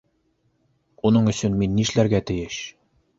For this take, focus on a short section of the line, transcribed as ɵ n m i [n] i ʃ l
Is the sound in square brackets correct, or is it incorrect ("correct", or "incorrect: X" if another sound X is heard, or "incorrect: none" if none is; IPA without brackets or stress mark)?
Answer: incorrect: nː